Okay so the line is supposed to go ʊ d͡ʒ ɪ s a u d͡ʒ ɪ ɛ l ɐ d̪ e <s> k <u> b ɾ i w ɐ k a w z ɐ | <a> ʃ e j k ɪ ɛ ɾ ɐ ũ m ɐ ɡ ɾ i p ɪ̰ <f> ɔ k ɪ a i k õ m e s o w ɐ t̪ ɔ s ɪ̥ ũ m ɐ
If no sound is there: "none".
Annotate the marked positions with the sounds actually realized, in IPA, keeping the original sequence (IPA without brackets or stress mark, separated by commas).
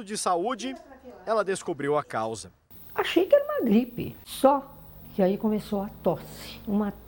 s, o, a, s